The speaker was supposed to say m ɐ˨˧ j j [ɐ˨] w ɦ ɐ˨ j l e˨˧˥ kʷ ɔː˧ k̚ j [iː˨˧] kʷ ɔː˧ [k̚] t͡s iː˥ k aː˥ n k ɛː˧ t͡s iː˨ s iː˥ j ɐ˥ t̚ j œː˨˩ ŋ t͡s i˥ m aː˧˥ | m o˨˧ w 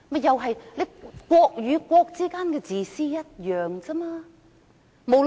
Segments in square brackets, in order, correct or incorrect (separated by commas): correct, incorrect, correct